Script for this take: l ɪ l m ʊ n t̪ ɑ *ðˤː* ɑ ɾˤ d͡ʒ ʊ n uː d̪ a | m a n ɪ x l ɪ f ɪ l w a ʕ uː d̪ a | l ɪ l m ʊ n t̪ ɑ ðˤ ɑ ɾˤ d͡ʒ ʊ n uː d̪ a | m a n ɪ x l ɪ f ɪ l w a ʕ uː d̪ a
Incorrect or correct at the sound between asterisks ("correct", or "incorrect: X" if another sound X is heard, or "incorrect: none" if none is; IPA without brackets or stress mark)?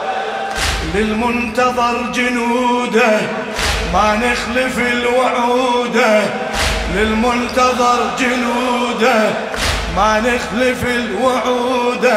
incorrect: ðˤ